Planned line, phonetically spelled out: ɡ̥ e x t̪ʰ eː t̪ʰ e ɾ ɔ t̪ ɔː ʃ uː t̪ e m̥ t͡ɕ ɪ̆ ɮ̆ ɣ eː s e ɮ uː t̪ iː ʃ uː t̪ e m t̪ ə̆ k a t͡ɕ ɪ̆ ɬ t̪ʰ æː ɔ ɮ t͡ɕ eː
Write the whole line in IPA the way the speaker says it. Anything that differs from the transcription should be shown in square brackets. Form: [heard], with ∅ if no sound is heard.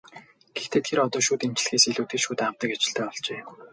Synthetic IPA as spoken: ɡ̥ e x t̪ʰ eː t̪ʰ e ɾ ɔ t̪ ɔː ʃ uː t̪ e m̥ t͡ɕ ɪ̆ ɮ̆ [x] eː s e ɮ uː t̪ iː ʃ uː t̪ [a] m t̪ ə̆ k a t͡ɕ ɪ̆ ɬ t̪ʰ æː ɔ ɮ t͡ɕ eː